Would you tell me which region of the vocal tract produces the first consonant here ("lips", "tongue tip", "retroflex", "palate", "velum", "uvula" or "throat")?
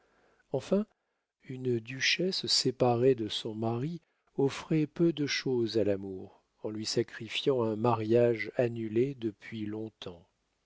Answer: lips